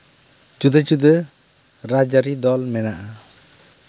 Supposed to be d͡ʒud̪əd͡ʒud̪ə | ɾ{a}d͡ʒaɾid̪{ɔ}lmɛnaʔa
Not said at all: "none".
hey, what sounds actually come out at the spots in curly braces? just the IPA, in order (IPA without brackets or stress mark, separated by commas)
a, ɔ